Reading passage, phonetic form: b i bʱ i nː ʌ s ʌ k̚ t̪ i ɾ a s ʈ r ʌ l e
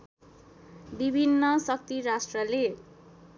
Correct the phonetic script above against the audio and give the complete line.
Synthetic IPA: b i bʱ i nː ʌ s ʌ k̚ t̪ i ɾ a s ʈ r ʌ l e